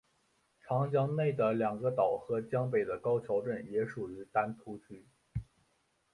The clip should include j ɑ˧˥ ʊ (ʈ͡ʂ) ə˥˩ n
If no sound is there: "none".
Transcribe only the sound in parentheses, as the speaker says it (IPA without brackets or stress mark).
ʈ͡ʂ